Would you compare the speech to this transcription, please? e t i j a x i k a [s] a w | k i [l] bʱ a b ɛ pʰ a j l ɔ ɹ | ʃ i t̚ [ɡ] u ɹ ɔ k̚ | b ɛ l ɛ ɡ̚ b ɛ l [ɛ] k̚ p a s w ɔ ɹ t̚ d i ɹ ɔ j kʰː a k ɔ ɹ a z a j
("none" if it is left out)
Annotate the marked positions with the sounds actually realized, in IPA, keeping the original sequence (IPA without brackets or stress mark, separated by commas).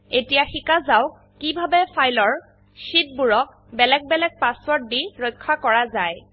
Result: z, none, b, ɛ